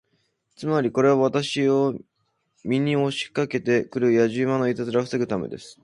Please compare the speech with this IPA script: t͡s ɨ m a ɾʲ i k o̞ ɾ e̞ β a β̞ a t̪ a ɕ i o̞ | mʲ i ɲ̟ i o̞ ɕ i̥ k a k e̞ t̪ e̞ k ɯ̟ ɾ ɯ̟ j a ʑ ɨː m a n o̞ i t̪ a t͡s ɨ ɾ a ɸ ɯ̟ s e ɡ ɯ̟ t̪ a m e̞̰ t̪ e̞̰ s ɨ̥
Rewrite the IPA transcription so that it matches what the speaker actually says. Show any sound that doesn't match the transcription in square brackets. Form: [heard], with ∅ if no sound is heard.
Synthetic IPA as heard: t͡s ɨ m a ɾʲ i k o̞ ɾ e̞ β a β̞ a t̪ a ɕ i o̞ | mʲ i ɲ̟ i o̞ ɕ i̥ k a k e̞ t̪ e̞ k ɯ̟ ɾ ɯ̟ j a ʑ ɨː m a n o̞ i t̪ a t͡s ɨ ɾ a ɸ ɯ̟ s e ɡ ɯ̟ t̪ a m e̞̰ [d̪] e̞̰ s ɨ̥